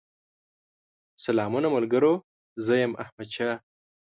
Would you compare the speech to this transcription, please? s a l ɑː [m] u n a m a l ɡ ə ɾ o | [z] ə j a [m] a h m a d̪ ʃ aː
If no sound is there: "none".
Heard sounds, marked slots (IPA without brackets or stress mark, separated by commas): m, z, m